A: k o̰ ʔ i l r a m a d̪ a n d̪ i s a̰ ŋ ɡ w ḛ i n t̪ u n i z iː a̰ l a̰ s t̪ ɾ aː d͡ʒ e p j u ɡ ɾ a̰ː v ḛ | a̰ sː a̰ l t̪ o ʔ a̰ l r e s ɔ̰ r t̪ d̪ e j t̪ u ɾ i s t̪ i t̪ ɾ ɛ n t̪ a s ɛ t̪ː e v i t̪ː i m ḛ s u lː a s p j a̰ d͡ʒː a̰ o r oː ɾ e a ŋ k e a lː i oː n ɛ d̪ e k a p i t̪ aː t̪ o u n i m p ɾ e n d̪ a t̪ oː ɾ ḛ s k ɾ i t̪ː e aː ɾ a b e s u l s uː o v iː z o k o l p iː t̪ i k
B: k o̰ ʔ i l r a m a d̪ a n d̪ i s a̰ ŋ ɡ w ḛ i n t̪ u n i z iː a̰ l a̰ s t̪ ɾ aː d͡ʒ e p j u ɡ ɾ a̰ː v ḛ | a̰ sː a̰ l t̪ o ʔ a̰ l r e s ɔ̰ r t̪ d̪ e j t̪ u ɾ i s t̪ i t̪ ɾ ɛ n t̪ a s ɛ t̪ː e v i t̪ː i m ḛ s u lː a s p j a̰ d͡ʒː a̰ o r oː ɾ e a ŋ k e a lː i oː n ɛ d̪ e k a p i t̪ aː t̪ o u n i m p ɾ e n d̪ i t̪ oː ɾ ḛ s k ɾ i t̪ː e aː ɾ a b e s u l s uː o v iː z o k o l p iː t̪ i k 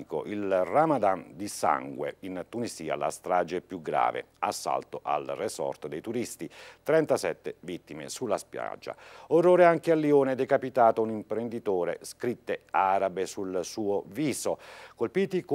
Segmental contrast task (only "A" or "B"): B